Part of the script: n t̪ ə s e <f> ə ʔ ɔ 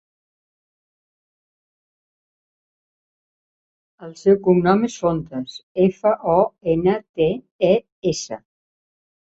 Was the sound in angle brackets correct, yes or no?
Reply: yes